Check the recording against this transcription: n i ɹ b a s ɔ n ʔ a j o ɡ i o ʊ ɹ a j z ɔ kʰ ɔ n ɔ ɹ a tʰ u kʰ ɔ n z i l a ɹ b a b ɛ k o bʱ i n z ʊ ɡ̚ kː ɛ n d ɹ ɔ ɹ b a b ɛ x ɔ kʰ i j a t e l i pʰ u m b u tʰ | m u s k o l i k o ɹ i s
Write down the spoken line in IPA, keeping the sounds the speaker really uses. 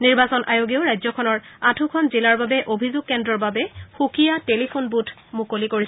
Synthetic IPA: n i ɹ b a s ɔ n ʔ a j o ɡ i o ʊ ɹ a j z ɔ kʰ ɔ n ɔ ɹ a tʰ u kʰ ɔ n z i l a ɹ b a b ɛ ʔ o bʱ i z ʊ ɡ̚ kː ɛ n d ɹ ɔ ɹ b a b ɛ x u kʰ i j a t e l i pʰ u n b u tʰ | m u k o l i k o ɹ i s